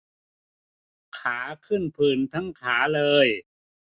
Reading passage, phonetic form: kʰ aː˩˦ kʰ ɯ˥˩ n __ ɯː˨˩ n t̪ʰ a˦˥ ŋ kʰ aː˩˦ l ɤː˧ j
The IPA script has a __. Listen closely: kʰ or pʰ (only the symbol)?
pʰ